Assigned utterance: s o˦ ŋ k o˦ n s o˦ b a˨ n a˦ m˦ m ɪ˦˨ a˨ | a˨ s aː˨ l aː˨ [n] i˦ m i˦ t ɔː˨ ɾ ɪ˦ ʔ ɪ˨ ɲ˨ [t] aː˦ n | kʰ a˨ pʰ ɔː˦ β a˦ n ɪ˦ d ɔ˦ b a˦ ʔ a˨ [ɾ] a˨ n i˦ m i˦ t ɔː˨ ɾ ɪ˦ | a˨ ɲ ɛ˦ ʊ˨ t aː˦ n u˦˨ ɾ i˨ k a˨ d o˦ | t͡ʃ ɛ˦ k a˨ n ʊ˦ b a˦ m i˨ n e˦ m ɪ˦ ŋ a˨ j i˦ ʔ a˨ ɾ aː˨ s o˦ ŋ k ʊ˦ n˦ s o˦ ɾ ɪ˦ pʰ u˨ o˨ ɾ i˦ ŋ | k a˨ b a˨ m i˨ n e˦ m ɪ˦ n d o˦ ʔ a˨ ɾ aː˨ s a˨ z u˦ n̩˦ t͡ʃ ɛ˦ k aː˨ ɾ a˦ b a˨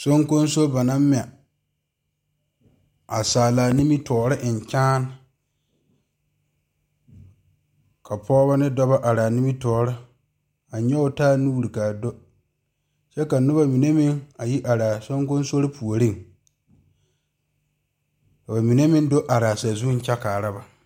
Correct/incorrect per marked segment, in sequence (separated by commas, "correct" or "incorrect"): correct, incorrect, correct